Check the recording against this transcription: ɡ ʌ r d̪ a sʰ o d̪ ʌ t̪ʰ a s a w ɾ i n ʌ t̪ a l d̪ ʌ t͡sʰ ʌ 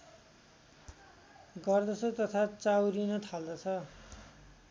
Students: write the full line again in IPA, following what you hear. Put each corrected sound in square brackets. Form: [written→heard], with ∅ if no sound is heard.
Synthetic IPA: ɡ ʌ r d̪ [a→ʌ] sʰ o [d̪→t̪] ʌ t̪ʰ a [s→t͡s] a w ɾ i n ʌ [t̪→t̪ʰ] a l d̪ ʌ t͡sʰ ʌ